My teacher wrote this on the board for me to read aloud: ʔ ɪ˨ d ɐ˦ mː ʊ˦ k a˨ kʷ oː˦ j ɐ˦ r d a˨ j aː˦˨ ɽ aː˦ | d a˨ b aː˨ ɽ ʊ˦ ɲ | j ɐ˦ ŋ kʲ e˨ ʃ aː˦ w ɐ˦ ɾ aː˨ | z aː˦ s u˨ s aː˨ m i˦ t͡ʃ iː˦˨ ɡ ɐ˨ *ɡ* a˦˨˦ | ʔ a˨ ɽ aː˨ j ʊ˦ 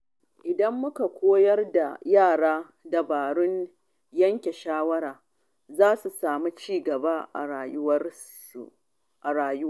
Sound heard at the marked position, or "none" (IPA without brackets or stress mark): b